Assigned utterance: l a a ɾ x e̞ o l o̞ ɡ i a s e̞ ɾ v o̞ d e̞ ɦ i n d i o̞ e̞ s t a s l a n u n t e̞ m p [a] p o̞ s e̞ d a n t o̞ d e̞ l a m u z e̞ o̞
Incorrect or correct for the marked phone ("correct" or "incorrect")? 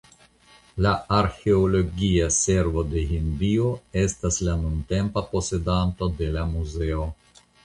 correct